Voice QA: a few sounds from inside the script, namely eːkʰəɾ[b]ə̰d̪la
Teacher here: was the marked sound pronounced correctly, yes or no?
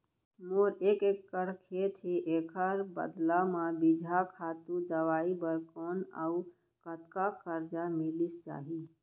yes